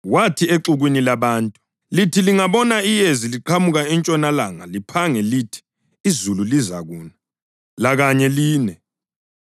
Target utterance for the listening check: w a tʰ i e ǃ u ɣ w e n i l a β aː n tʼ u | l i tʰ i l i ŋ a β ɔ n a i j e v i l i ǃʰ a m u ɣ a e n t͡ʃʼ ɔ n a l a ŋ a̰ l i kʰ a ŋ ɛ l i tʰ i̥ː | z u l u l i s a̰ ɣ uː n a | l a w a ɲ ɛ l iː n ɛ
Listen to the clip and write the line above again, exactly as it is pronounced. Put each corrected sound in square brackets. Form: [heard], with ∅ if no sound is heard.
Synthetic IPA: w a tʰ i e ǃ u ɣ w [i] n i l a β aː n tʼ u | l i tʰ i l i ŋ a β ɔ n a i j e [z] i l i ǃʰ a m u ɣ a [ɛ] n t͡ʃʼ ɔ n a l a ŋ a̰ l i [pʰ] a ŋ ɛ l i tʰ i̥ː | z u l u l i [z] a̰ ɣ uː n a | l a [ɣ] a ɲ ɛ l iː n ɛ